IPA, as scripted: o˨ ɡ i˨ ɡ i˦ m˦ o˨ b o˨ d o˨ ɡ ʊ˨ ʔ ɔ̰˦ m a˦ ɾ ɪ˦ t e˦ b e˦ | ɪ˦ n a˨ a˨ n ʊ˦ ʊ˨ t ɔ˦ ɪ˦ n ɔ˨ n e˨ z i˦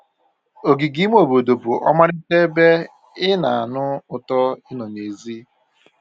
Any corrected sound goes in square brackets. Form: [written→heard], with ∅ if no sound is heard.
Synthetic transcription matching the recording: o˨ ɡ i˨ ɡ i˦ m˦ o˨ b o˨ d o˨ [ɡ→b] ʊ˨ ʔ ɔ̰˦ m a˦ ɾ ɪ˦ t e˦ b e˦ | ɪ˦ n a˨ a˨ n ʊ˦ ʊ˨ t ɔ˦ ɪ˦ n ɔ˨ n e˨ z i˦